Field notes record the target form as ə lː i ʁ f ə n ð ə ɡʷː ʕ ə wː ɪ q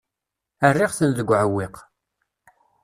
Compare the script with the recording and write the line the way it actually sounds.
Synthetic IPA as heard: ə rː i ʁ θ ə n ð ə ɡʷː ʕ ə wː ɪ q